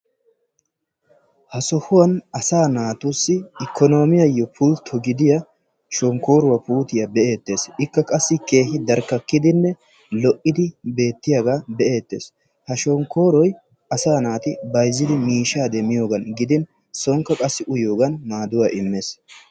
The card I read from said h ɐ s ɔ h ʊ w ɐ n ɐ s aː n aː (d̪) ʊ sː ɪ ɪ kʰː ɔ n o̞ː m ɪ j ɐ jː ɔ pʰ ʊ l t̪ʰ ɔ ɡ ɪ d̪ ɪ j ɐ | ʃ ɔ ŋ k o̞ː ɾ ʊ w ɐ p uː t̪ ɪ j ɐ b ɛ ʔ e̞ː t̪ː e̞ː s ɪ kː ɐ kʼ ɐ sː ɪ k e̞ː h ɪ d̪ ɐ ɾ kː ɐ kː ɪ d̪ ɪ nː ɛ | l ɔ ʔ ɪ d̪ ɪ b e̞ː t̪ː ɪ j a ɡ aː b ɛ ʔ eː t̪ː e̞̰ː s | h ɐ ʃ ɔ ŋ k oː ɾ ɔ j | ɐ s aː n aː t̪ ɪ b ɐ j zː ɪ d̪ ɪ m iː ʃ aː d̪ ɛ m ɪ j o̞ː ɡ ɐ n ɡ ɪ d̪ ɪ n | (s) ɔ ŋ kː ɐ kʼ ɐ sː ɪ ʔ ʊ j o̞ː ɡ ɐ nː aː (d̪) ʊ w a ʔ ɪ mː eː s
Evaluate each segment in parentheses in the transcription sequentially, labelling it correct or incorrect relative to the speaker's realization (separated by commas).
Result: incorrect, correct, correct